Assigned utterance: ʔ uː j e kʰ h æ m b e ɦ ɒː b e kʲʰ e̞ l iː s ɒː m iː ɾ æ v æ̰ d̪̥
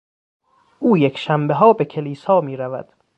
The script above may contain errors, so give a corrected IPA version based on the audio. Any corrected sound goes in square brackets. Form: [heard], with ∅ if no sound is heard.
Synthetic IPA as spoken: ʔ uː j e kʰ [ʃ] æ m b e ɦ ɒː b e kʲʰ e̞ l iː s ɒː m iː ɾ æ v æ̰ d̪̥